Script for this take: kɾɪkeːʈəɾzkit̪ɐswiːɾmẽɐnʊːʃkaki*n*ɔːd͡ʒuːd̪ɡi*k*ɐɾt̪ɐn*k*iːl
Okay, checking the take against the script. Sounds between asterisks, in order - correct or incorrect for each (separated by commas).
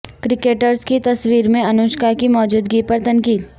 incorrect, incorrect, correct